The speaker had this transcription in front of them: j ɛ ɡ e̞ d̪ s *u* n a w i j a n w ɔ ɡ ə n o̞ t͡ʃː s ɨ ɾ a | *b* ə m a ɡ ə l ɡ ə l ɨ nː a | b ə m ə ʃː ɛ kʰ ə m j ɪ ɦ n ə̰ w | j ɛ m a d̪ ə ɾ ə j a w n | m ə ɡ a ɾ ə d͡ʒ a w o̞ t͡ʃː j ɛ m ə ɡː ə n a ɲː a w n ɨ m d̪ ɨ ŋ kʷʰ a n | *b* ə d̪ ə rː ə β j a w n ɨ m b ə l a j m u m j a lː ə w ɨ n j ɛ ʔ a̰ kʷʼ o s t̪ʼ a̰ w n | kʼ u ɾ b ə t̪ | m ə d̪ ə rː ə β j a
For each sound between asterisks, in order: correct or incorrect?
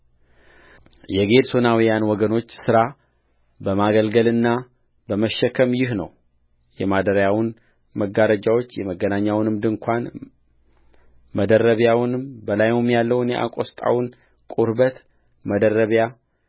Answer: incorrect: o, correct, incorrect: m

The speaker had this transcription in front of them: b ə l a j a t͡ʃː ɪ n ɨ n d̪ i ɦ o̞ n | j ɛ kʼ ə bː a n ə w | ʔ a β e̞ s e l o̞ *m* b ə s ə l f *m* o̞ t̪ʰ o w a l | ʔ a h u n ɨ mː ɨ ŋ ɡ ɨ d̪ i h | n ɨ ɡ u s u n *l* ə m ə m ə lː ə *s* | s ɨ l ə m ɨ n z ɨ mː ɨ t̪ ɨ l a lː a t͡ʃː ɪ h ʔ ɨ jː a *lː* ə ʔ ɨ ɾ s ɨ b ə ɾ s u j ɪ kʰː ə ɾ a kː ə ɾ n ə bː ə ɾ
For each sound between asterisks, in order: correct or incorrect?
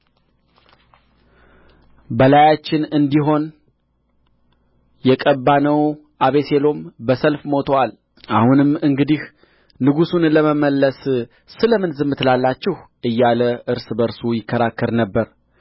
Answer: correct, correct, correct, correct, incorrect: l

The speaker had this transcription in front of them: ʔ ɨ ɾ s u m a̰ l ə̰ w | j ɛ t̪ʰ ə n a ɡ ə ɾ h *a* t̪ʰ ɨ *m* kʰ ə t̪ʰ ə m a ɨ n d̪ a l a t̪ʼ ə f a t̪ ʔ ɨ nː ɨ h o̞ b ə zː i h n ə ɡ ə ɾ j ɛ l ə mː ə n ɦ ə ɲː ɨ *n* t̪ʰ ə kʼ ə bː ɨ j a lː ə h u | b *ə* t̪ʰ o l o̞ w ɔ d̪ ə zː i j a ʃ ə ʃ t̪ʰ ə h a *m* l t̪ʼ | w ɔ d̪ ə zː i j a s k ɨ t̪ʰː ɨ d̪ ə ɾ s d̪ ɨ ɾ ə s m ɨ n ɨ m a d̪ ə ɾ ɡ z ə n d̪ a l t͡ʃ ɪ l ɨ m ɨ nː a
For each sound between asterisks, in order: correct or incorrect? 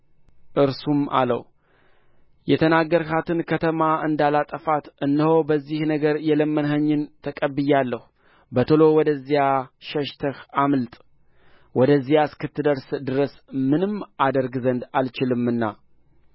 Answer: correct, incorrect: n, correct, correct, correct

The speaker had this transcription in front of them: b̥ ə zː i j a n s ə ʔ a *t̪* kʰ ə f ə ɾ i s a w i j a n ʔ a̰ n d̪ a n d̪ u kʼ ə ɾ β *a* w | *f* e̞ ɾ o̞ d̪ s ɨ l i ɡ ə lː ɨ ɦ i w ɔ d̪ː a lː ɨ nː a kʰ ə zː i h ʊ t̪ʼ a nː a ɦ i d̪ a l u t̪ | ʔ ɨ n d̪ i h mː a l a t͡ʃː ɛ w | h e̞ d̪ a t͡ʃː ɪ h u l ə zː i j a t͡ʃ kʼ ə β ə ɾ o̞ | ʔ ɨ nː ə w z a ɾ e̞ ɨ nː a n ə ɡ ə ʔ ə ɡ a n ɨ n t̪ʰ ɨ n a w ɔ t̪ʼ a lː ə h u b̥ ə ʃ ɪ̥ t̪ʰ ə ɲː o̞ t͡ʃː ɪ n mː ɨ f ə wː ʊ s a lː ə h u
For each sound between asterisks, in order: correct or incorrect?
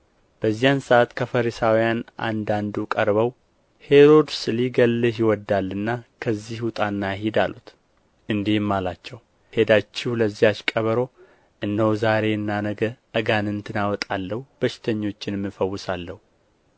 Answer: correct, incorrect: ə, incorrect: h

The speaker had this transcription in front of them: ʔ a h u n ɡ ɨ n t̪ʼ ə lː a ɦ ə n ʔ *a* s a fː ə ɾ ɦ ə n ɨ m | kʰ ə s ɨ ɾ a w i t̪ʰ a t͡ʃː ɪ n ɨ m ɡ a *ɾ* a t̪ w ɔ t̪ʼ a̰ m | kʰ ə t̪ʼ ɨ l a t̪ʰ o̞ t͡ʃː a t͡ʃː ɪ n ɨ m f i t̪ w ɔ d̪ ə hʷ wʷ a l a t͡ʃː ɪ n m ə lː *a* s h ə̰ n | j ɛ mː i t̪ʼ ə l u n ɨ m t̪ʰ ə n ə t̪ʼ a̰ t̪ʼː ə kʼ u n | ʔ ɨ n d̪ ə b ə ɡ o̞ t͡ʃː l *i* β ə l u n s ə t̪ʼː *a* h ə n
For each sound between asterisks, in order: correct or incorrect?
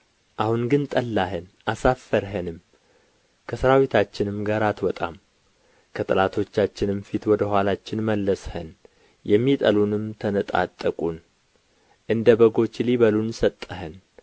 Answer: correct, correct, incorrect: ə, correct, incorrect: ə

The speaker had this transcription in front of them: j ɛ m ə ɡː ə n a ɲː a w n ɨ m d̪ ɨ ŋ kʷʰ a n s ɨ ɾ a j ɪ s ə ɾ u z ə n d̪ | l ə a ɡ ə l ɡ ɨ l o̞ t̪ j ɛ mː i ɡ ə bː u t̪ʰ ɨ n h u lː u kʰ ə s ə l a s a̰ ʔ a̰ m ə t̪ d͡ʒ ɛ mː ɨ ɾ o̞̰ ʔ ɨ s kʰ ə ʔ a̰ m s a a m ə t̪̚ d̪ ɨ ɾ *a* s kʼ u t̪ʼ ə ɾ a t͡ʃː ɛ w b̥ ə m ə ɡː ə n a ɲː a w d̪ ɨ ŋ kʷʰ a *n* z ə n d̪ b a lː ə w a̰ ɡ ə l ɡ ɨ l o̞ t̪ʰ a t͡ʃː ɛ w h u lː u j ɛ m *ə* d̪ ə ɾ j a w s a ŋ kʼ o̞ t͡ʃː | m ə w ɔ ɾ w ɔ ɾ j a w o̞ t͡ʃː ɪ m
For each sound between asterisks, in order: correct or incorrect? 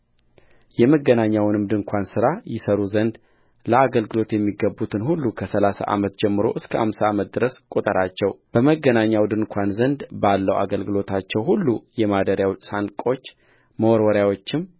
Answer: incorrect: ə, correct, incorrect: a

